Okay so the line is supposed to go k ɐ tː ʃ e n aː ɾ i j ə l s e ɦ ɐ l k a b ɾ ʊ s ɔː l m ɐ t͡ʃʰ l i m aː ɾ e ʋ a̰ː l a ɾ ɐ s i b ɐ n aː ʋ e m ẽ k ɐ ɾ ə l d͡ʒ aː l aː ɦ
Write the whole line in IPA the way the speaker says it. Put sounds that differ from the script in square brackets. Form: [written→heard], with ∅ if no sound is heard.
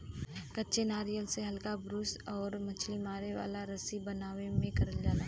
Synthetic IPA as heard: k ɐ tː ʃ e n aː ɾ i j ə l s e ɦ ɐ l k a b ɾ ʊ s ɔː [l→ɾ] m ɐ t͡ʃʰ l i m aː ɾ e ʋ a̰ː l a ɾ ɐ s i b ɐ n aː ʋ e m ẽ k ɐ ɾ ə l d͡ʒ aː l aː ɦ